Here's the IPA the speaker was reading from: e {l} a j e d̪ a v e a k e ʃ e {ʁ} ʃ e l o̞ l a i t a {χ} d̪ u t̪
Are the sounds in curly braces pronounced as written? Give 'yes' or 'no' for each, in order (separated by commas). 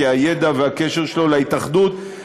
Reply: no, yes, yes